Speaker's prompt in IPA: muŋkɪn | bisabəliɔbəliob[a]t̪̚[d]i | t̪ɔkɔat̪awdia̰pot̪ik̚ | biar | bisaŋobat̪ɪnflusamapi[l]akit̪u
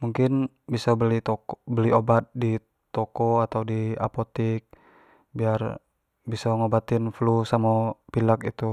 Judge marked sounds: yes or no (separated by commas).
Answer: yes, yes, yes